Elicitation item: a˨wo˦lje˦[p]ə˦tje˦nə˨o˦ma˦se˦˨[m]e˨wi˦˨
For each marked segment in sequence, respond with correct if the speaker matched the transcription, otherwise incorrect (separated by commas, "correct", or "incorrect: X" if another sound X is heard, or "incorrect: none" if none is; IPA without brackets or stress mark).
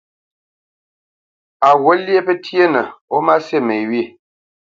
correct, correct